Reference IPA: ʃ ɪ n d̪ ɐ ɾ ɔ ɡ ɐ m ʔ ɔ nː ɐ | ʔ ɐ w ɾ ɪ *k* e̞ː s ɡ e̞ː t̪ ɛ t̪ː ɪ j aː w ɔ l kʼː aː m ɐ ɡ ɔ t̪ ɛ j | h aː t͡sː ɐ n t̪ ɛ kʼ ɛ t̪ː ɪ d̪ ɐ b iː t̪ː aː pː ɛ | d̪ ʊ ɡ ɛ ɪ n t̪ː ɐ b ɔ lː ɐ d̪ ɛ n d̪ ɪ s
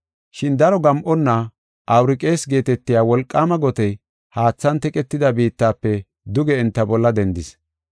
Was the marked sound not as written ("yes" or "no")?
yes